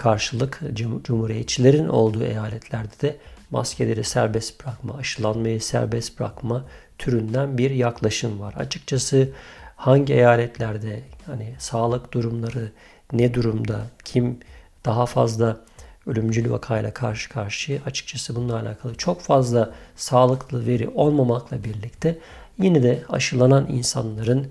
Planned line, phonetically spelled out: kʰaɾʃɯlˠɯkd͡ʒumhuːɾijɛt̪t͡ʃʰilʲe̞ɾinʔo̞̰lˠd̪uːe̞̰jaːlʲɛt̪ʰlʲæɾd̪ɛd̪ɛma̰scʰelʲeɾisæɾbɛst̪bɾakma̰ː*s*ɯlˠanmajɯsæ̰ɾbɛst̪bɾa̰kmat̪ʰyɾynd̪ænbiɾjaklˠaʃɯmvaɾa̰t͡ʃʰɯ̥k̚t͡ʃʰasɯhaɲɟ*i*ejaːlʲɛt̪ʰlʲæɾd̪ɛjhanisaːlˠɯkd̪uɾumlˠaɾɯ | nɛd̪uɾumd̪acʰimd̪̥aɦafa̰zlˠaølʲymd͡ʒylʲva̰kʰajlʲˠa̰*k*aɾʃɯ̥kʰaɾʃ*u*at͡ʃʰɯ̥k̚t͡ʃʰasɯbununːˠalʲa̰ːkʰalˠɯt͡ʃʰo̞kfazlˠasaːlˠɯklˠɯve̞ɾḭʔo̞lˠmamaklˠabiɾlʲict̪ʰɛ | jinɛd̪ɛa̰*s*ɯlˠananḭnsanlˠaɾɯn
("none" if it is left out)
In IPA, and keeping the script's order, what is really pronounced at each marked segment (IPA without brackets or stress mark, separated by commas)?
ʃ, i, kʰ, ɯ, ʃ